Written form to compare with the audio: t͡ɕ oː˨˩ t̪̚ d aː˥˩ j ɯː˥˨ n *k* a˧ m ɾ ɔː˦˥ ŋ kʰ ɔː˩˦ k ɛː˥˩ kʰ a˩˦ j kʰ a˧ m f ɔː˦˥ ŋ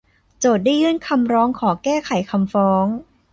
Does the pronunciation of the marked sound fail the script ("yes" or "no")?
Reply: yes